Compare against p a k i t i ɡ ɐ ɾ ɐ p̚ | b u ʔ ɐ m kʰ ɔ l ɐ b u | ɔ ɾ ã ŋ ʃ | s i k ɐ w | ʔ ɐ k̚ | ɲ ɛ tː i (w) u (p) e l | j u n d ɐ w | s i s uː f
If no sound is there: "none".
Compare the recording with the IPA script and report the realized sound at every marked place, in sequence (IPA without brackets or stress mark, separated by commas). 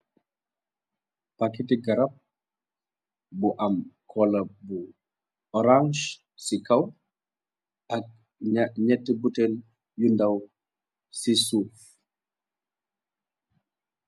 b, t